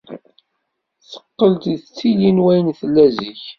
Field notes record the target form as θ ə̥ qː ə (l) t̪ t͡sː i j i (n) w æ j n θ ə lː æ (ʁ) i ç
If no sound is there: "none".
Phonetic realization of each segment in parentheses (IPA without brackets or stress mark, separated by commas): l, n, z